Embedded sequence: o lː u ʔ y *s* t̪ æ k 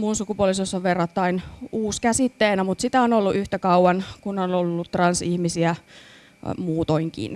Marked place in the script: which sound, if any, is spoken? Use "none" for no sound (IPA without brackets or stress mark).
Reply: h